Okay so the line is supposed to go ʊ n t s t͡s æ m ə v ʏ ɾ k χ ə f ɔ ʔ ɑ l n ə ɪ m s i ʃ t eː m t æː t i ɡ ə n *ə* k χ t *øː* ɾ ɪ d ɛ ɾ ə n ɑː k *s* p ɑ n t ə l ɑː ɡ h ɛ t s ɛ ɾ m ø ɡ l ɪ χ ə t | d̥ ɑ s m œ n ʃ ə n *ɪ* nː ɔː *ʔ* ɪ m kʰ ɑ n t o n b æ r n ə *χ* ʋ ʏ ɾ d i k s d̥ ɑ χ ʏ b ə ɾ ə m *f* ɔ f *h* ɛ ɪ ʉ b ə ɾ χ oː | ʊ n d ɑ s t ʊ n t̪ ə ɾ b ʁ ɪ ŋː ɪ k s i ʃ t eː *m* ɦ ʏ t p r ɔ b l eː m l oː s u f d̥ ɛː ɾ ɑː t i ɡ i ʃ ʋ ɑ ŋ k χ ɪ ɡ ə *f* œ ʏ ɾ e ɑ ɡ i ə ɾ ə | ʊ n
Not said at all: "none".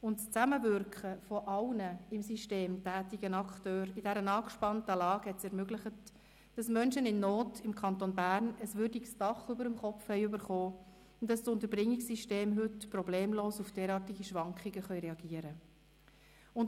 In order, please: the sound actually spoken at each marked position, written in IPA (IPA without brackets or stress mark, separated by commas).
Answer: ɑ, øː, ʃ, ɪ, t, s, χ, h, m, χ